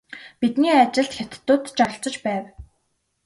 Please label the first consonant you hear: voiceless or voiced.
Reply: voiceless